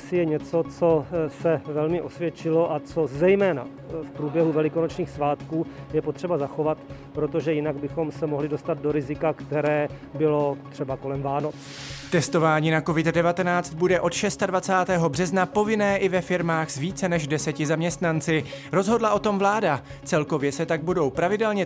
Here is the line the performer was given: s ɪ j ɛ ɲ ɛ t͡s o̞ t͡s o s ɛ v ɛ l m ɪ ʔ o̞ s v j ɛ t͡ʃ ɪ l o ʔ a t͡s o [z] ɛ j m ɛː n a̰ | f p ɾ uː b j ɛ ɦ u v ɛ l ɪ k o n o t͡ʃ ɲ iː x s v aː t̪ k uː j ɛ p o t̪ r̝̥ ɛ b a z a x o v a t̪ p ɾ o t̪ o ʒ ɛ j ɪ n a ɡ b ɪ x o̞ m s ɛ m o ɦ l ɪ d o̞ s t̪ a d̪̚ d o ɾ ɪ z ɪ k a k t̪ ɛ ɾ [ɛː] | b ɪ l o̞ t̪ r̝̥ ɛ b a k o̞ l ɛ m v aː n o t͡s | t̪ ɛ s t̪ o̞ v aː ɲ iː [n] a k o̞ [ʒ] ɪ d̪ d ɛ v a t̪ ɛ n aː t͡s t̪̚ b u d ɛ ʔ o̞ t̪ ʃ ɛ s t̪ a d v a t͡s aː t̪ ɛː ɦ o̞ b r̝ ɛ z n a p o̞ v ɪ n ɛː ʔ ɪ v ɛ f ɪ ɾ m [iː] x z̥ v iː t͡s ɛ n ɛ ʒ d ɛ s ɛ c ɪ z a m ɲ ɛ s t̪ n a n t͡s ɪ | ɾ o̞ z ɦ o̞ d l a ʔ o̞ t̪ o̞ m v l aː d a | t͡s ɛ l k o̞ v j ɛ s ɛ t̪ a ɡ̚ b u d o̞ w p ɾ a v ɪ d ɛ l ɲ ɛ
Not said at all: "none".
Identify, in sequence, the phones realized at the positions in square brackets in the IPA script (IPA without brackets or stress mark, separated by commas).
z, ɛː, n, v, aː